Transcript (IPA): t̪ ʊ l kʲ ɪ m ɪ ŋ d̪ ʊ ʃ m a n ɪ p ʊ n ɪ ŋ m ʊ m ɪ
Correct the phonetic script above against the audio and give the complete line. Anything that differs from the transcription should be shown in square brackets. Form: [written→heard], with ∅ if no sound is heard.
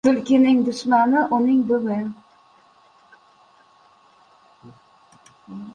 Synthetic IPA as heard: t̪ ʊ l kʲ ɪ [m→n] ɪ ŋ d̪ ʊ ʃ m a n ɪ [p→ʔ] ʊ n ɪ ŋ [m→b] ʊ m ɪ